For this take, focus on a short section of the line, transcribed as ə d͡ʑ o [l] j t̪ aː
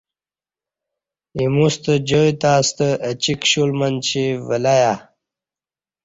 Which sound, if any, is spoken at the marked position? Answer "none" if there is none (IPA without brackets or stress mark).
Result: none